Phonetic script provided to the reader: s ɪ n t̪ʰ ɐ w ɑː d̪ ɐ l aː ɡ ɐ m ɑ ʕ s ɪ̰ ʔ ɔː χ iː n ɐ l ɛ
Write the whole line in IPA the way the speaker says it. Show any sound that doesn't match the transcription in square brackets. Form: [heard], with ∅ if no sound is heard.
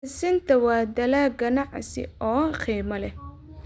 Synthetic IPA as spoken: s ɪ n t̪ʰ ɐ w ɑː d̪ ɐ l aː ɡ ɐ [n] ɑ ʕ s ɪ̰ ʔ ɔː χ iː [m] ɐ l ɛ